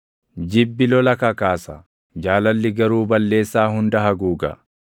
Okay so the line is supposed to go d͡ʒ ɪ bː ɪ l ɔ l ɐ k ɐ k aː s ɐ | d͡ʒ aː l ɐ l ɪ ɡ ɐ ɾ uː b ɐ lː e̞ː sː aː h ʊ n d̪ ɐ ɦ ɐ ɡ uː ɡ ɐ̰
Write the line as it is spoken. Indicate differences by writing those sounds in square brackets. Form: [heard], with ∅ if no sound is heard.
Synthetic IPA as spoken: d͡ʒ ɪ bː ɪ l ɔ l ɐ k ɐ k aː s ɐ | d͡ʒ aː l ɐ [lː] ɪ ɡ ɐ ɾ uː b ɐ lː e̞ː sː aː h ʊ n d̪ ɐ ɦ ɐ ɡ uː ɡ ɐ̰